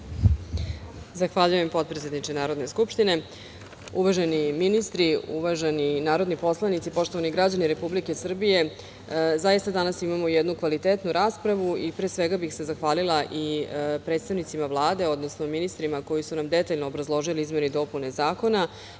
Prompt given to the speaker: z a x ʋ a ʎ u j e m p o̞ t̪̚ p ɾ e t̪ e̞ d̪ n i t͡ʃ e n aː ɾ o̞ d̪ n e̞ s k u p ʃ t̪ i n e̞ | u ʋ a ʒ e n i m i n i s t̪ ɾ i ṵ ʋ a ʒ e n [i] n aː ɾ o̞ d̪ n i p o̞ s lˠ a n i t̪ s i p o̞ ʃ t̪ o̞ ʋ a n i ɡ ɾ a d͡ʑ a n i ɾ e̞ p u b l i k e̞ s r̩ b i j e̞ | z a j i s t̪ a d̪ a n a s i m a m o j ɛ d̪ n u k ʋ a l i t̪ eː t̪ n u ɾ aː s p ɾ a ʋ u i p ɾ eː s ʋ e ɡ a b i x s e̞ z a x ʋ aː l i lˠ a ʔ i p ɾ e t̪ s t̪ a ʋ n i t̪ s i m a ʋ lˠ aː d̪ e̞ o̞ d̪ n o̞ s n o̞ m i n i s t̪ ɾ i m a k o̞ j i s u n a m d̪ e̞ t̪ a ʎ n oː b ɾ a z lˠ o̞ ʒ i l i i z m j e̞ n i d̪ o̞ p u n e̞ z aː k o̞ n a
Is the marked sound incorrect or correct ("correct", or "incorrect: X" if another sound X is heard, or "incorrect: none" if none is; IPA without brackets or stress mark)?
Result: correct